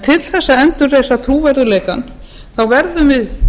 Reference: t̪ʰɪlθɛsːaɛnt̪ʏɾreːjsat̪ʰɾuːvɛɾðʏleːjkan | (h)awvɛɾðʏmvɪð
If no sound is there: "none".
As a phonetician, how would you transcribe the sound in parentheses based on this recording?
θ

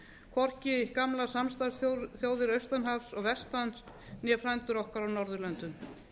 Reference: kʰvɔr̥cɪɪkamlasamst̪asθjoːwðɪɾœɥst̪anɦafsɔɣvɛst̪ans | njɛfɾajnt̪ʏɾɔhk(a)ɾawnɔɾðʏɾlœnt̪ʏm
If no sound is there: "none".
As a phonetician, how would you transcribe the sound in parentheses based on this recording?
a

